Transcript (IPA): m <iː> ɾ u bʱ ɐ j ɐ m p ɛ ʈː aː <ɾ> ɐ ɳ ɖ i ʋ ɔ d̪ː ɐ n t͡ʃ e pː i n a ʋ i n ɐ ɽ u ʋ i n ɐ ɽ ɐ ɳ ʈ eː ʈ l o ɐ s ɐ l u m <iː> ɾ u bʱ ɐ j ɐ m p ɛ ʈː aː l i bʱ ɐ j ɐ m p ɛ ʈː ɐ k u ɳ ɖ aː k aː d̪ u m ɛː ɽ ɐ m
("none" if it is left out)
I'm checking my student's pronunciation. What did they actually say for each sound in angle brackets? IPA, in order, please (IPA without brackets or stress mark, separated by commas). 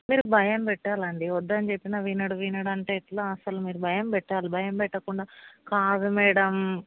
iː, l, iː